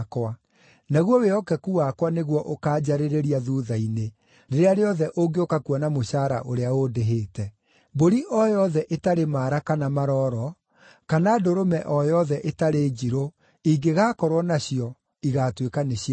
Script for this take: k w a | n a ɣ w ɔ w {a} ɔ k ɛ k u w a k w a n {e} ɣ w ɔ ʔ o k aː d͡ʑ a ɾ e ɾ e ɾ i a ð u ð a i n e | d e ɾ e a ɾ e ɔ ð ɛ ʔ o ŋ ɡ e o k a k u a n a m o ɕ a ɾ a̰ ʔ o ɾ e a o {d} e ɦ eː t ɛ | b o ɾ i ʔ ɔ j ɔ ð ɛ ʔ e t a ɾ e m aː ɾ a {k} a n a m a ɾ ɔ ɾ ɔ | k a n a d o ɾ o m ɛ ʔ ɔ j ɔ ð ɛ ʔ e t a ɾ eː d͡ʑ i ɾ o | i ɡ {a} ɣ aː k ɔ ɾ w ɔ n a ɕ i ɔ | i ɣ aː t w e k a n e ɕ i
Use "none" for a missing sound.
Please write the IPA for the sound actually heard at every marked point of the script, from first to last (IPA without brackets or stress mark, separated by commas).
e, e, d, k, e